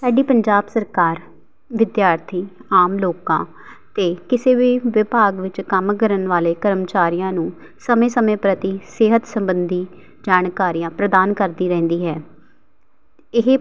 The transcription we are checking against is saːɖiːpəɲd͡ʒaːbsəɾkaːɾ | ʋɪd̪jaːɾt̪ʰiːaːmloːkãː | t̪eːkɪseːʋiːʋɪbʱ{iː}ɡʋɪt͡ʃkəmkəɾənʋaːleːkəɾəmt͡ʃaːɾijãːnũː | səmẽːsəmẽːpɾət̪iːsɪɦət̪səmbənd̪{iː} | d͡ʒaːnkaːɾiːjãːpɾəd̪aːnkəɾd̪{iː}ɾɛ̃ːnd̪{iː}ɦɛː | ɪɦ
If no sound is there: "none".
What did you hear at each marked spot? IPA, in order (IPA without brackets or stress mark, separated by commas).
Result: aː, iː, iː, iː